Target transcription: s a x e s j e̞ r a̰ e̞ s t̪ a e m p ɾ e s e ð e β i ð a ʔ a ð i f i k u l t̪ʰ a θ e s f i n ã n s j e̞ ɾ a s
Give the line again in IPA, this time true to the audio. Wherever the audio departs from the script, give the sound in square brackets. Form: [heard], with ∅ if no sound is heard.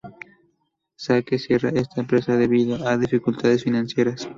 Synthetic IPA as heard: s a [k] e s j e̞ r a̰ e̞ s t̪ a e m p ɾ e s [a] ð e β i ð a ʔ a ð i f i k u l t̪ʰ a [ð] e s f i n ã n s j e̞ ɾ a s